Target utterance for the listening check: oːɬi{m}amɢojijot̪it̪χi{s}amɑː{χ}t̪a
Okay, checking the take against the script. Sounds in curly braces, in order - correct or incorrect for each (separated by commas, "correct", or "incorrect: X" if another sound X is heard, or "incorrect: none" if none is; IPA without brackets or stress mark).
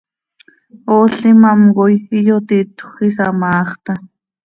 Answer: correct, correct, correct